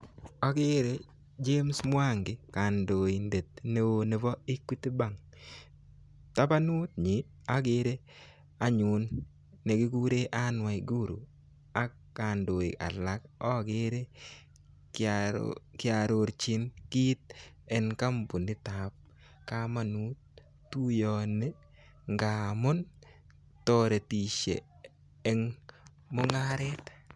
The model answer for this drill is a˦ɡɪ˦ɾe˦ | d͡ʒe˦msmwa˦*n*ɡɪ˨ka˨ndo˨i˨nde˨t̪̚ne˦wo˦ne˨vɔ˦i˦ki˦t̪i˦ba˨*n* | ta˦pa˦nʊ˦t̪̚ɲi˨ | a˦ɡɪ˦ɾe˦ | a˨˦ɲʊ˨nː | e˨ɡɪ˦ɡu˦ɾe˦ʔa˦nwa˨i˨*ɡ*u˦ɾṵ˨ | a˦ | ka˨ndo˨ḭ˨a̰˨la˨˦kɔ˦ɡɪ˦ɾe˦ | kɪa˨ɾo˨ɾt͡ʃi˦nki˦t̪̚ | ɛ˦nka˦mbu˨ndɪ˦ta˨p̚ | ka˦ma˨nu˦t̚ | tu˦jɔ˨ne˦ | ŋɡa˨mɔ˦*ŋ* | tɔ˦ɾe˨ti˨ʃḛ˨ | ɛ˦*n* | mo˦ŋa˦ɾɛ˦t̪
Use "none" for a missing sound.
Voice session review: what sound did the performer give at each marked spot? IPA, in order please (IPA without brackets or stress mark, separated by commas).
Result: ŋ, ŋ, ɡ, n, ŋ